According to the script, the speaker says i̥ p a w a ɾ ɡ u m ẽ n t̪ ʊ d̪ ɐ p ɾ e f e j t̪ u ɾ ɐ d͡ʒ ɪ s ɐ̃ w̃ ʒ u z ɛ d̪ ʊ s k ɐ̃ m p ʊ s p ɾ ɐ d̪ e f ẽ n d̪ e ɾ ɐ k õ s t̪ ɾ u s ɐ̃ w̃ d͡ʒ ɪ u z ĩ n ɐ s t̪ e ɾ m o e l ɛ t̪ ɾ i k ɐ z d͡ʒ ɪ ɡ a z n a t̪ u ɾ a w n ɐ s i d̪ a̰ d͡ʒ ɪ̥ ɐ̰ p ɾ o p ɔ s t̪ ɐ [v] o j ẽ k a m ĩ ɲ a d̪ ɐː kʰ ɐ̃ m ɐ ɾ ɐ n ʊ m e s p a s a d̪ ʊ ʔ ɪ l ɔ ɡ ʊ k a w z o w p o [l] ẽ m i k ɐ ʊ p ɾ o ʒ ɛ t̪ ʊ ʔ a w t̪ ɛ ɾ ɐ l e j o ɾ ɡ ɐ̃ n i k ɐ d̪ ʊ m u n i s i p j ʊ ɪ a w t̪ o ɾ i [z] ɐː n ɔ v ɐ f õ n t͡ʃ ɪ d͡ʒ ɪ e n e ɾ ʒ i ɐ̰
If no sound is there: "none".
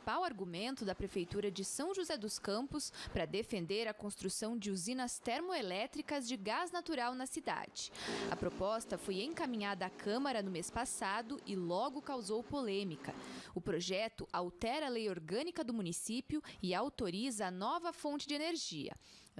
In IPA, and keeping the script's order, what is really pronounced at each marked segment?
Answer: f, l, z

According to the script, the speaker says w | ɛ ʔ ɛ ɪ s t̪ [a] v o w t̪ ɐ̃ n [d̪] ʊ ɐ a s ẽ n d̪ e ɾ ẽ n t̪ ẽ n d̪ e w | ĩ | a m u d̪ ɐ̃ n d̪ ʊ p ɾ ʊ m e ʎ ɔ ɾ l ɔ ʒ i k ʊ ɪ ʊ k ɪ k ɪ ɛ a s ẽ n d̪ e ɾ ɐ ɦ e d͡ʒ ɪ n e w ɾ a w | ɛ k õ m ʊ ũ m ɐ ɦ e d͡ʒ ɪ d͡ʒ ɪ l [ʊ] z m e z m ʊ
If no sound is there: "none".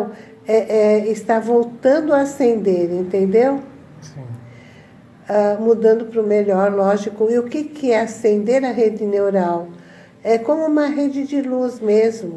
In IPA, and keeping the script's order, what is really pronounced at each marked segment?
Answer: a, d̪, u

